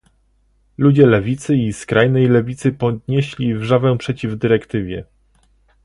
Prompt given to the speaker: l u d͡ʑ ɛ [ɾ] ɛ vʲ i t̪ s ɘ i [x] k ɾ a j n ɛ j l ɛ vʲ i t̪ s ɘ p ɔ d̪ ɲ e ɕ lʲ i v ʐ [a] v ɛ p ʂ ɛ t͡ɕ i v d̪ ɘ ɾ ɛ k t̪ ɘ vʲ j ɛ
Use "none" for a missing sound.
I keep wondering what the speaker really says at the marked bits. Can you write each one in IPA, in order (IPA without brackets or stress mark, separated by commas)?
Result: l, s, a